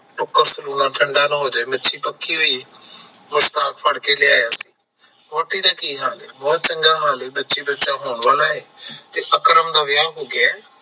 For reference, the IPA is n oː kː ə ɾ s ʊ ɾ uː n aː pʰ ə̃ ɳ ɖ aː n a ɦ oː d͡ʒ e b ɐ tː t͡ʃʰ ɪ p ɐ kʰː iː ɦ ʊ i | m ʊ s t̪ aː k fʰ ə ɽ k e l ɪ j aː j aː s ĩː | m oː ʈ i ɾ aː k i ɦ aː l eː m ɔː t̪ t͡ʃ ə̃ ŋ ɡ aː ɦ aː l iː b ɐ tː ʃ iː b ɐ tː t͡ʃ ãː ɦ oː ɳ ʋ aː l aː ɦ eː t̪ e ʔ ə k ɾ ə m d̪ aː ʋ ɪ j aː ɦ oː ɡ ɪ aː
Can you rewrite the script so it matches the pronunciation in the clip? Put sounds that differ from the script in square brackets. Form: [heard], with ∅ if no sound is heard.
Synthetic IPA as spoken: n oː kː ə ɾ s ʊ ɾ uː n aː [ʈʰ] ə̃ ɳ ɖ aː n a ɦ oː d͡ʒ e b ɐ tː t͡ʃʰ [i] p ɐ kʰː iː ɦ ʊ i | m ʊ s t̪ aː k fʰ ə ɽ k e l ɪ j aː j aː s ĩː | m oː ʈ i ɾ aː k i ɦ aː l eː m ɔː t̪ t͡ʃ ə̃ ŋ ɡ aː ɦ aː l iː b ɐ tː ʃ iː b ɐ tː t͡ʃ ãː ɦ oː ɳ ʋ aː l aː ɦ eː t̪ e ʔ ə k ɾ ə m d̪ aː ʋ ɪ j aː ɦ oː ɡ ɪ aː